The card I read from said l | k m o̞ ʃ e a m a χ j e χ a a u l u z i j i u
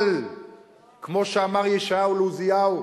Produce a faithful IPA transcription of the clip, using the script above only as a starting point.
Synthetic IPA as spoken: l | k m o̞ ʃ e a m a ʁ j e ʃ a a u l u z i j a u